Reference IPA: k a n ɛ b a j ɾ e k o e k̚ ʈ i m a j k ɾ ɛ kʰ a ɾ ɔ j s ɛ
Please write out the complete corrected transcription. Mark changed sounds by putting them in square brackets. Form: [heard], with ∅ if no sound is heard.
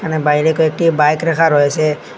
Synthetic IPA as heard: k a n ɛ b a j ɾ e k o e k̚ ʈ i [b] a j k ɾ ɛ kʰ a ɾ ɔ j s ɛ

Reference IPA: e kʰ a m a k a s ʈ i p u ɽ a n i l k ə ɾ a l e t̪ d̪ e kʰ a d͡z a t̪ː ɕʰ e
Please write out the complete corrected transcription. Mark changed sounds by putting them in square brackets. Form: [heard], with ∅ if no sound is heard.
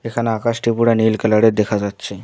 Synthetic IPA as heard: e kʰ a [n] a k a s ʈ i p u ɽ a n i l k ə [l] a [ɽ] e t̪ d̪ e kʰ a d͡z a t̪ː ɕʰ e

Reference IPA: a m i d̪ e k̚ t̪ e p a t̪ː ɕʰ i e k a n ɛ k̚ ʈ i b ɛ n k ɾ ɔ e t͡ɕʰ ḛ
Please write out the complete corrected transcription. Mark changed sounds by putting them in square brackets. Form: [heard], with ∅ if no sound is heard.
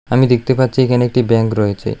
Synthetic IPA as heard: a m i d̪ e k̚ t̪ e p a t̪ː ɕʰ i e k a n [e] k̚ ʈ i b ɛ [ŋ] k ɾ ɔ e t͡ɕʰ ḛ

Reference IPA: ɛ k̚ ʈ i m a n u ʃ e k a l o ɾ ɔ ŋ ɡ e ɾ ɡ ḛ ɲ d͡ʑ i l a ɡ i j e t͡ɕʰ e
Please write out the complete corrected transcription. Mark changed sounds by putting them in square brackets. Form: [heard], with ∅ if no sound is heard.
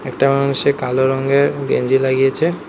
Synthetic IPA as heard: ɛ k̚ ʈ [a] m a n u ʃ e k a l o ɾ ɔ ŋ ɡ e ɾ ɡ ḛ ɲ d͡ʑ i l a ɡ i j e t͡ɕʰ e

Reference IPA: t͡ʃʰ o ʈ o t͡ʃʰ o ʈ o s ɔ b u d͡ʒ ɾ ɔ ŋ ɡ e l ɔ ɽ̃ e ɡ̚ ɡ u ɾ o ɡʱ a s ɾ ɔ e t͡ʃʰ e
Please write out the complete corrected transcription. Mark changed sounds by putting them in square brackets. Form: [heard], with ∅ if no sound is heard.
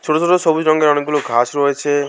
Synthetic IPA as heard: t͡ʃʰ o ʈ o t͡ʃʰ o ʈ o s ɔ b u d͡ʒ ɾ ɔ ŋ ɡ e [ɾ] ɔ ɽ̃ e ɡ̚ ɡ u [l] o ɡʱ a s ɾ ɔ e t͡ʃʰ e

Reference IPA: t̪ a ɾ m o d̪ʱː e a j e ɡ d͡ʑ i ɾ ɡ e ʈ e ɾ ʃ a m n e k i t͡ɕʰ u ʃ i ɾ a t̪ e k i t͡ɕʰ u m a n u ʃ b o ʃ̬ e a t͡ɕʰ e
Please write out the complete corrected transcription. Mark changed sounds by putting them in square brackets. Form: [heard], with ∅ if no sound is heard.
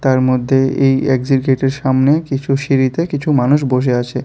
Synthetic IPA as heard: t̪ a ɾ m o d̪ʱː e [e] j e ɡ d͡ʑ i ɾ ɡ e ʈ e ɾ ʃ a m n e k i t͡ɕʰ u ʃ i ɾ [i] t̪ e k i t͡ɕʰ u m a n u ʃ b o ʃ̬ e a t͡ɕʰ e

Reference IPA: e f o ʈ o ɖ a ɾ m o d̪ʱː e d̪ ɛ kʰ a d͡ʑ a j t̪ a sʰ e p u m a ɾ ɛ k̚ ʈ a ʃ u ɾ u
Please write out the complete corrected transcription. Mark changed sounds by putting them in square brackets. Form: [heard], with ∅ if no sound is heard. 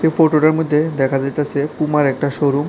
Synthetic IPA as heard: e f o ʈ o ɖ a ɾ m o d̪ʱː e d̪ ɛ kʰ a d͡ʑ a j t̪ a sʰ e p u m a ɾ ɛ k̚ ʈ a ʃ [o] ɾ u

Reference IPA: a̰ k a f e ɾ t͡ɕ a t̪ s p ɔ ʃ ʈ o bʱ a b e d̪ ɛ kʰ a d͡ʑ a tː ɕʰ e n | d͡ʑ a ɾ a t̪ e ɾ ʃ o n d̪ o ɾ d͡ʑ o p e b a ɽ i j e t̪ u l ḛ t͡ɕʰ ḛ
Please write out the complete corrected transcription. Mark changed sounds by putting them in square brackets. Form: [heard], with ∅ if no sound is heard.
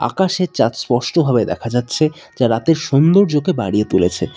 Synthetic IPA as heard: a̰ k a [ʃ] e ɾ t͡ɕ a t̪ s p ɔ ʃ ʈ o bʱ a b e d̪ ɛ kʰ a d͡ʑ a tː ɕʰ e [∅] | d͡ʑ a ɾ a t̪ e ɾ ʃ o n d̪ o ɾ d͡ʑ o [k] e b a ɽ i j e t̪ u l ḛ t͡ɕʰ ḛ

